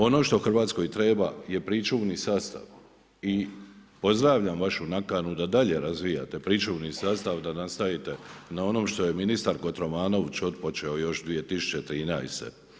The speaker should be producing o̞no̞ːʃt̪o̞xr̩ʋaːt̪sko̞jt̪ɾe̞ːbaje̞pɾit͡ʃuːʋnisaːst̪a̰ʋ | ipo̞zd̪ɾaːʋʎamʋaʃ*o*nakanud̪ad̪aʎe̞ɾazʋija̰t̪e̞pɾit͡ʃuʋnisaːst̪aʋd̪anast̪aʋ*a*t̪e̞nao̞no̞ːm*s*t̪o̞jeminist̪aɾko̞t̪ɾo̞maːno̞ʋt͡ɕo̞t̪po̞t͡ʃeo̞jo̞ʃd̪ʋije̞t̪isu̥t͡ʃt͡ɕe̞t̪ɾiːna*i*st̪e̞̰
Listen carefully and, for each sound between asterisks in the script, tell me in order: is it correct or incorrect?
incorrect: u, incorrect: i, incorrect: ʃ, incorrect: j

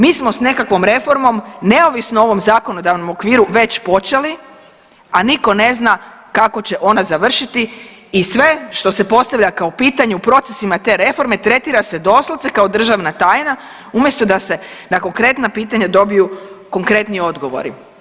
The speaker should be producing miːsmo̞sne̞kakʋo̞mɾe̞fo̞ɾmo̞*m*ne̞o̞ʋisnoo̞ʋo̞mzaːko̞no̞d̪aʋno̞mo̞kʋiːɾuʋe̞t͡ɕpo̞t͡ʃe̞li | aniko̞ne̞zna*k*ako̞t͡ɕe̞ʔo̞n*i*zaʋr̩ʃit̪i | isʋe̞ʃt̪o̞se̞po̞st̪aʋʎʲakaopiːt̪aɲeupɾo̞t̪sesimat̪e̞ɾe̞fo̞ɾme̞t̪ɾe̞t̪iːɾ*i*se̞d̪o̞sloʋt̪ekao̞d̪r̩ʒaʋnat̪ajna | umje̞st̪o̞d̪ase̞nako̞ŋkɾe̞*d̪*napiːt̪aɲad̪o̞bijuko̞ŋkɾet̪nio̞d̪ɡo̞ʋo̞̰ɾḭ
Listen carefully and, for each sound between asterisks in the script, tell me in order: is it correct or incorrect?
correct, correct, incorrect: a, incorrect: a, incorrect: t̪

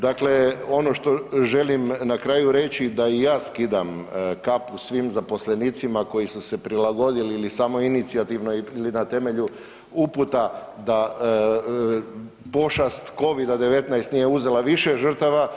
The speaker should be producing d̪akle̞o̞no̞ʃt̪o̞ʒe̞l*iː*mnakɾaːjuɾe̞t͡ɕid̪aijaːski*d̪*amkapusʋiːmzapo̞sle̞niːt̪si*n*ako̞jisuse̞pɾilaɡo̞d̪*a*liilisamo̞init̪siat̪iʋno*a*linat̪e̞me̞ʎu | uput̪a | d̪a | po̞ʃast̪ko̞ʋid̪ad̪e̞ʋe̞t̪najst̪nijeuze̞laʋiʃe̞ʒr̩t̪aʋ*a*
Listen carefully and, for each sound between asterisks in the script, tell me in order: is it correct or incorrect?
incorrect: i, correct, incorrect: m, incorrect: i, incorrect: i, correct

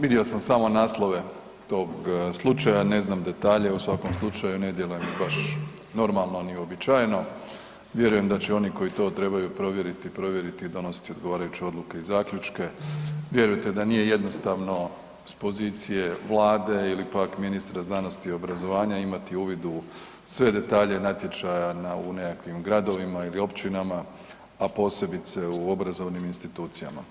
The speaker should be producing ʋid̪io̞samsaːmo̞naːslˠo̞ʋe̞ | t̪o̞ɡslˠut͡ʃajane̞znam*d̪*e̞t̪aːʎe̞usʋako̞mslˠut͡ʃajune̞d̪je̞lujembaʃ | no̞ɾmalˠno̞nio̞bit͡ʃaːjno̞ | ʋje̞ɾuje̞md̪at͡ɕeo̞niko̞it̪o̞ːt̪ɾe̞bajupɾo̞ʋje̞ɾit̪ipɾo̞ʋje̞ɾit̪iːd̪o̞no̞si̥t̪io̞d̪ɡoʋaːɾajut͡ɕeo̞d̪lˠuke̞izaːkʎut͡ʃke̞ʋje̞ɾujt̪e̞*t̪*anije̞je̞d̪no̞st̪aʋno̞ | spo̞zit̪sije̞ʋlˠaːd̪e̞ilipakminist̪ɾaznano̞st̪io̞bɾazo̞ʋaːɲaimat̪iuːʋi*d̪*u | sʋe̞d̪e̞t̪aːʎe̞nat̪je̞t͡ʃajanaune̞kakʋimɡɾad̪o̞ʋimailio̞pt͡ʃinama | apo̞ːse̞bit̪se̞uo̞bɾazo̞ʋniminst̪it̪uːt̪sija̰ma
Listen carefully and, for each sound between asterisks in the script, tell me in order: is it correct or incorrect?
correct, incorrect: d̪, correct

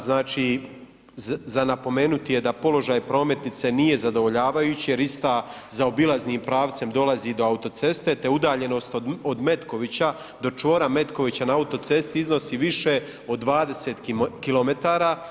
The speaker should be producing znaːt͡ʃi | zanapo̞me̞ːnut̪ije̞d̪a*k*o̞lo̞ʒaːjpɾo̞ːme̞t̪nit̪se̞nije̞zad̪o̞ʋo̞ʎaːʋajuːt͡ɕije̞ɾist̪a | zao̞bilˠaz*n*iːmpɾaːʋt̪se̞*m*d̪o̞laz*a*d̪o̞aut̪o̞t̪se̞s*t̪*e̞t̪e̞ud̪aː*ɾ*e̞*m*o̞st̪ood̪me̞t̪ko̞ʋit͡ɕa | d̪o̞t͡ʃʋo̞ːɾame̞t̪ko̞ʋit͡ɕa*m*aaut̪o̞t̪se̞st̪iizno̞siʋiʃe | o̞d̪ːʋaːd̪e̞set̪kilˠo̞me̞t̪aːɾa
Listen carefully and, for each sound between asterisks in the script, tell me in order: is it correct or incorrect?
incorrect: p, correct, correct, incorrect: i, correct, incorrect: ʎ, incorrect: n, incorrect: n

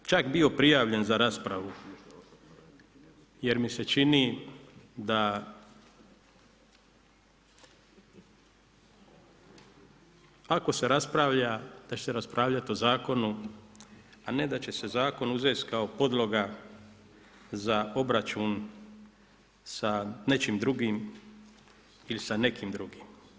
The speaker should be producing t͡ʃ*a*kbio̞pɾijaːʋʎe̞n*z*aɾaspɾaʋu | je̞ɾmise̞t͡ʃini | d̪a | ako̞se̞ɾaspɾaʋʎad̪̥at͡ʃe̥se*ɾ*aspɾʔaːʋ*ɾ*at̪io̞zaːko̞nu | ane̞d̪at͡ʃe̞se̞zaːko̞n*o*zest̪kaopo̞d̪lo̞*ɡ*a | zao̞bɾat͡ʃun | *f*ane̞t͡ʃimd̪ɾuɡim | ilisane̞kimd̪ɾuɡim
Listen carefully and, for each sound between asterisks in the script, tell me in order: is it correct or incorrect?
correct, correct, correct, incorrect: ʎ, incorrect: u, correct, incorrect: s

